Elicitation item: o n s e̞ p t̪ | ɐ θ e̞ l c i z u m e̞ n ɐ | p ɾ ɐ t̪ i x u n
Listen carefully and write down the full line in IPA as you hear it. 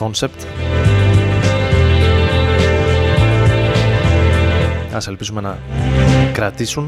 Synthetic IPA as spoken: o n s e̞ p t̪ | ɐ s e̞ l p i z u m e̞ n ɐ | k ɾ ɐ t̪ i s u n